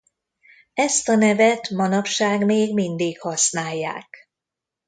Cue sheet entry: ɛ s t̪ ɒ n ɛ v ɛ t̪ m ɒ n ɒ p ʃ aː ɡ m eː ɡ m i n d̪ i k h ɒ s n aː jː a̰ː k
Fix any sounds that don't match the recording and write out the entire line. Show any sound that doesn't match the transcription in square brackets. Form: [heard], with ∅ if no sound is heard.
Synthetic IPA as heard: ɛ s t̪ ɒ n ɛ v ɛ t̪ m ɒ n ɒ p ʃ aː ɡ m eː ɡ m i n d̪ i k h ɒ s n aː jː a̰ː k

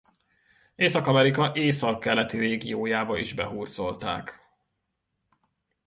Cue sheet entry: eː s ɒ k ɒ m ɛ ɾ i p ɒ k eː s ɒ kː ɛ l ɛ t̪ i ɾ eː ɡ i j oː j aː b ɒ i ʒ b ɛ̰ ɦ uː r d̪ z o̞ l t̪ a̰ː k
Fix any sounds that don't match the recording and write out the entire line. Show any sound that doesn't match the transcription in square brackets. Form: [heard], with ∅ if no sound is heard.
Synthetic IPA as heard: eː s ɒ k ɒ m ɛ ɾ i [k] ɒ [ʔ] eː s ɒ kː ɛ l ɛ t̪ i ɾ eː ɡ i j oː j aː b ɒ i ʒ b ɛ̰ ɦ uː r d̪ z o̞ l t̪ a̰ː k

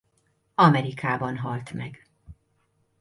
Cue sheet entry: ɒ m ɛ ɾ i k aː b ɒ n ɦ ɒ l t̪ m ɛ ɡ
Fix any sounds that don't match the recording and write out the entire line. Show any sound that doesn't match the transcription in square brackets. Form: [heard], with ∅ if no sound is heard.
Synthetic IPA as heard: ɒ m ɛ ɾ i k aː b ɒ n ɦ ɒ l t̪ m ɛ ɡ

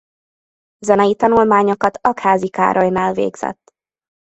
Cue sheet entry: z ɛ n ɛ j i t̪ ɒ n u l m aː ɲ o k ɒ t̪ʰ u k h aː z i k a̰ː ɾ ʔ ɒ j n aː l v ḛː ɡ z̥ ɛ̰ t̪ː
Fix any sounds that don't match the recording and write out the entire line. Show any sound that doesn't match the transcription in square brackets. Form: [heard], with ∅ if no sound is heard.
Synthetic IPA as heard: z ɛ n ɛ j i t̪ ɒ n u l m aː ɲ o k ɒ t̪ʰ [ɒ] k h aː z i k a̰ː ɾ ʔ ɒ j n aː l v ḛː ɡ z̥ ɛ̰ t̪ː

